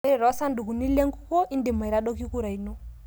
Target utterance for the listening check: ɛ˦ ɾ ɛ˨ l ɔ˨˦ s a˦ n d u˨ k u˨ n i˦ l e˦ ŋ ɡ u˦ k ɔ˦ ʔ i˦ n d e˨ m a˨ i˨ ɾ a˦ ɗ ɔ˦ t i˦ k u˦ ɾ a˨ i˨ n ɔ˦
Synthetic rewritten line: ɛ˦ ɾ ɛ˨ ɾ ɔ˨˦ s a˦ n d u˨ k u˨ n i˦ l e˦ ŋ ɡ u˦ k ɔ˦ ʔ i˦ n d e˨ m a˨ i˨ ɾ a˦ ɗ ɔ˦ k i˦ k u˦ ɾ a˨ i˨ n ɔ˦